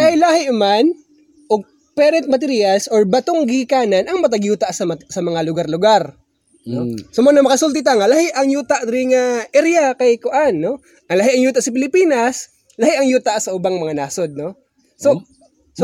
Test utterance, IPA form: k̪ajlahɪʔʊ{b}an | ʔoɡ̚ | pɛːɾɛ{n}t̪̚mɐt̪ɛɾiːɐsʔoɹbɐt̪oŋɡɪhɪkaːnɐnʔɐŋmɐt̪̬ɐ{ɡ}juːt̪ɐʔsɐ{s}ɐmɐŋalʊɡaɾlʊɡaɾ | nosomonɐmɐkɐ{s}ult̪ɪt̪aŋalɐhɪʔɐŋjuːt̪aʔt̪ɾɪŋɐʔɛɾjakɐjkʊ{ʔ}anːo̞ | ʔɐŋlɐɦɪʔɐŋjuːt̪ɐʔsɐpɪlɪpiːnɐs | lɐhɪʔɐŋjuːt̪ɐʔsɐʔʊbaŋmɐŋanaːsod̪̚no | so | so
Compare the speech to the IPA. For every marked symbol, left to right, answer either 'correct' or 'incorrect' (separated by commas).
incorrect, correct, correct, correct, correct, correct